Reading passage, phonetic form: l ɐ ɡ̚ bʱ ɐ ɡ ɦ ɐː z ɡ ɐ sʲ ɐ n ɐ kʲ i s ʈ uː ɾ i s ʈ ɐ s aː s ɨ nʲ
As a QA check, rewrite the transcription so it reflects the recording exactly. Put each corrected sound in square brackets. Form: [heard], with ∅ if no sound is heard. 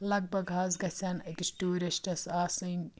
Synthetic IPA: l ɐ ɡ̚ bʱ ɐ ɡ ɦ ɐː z ɡ ɐ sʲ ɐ n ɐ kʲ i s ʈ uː ɾ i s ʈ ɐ s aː s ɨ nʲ